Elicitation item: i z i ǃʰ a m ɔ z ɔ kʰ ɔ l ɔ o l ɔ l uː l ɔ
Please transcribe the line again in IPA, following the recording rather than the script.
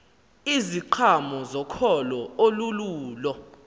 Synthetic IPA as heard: i z i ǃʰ a m ɔ z ɔ kʰ ɔ l ɔ o l u l uː l ɔ